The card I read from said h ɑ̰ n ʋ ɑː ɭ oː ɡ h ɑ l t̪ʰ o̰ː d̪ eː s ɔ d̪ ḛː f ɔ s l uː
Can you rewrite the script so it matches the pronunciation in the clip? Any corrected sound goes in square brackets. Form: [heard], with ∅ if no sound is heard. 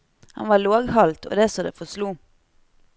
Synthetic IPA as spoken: h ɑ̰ n ʋ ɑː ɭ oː ɡ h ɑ l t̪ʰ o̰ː d̪ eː s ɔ d̪ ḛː f ɔ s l uː